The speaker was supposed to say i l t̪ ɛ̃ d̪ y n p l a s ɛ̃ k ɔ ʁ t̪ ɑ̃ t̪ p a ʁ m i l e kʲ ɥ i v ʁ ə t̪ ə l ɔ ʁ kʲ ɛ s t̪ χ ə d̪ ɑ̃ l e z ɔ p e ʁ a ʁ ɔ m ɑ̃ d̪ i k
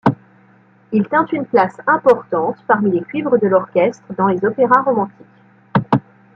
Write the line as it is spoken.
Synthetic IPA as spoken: i l t̪ ɛ̃ t̪ y n p l a s ɛ̃ p ɔ ʁ t̪ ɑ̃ t̪ p a ʁ m i l e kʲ ɥ i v ʁ ə d̪ ə l ɔ ʁ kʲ ɛ s t̪ χ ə d̪ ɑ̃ l e z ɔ p e ʁ a ʁ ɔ m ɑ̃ t̪ i k